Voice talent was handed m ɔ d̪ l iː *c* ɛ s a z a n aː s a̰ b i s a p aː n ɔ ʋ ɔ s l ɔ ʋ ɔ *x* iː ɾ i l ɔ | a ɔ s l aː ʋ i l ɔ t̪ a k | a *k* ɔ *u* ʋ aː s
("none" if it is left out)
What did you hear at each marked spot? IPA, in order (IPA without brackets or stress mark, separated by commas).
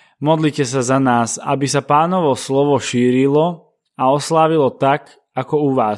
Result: c, ʃ, k, u